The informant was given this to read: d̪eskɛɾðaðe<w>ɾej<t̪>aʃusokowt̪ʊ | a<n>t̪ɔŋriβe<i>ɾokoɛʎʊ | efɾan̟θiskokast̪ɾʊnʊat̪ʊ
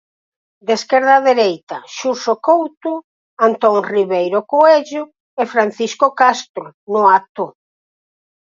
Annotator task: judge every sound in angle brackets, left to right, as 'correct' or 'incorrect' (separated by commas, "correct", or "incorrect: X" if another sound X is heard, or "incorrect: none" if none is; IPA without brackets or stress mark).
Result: incorrect: none, correct, correct, incorrect: j